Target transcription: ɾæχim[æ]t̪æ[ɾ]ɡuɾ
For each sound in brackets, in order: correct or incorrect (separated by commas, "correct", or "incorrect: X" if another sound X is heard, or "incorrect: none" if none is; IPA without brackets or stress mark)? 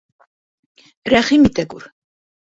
incorrect: i, incorrect: none